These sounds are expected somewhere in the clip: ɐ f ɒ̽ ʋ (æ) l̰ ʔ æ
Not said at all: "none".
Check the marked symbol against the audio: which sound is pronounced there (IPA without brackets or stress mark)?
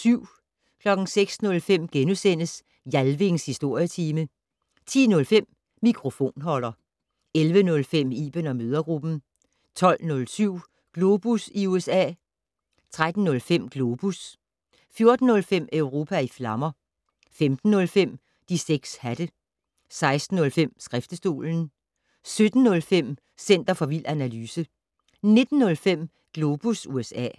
i